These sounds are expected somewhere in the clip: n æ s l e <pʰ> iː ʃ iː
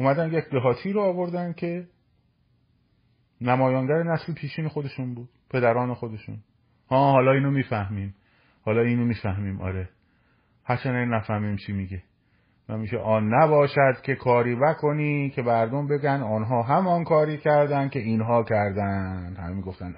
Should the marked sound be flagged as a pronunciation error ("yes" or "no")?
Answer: no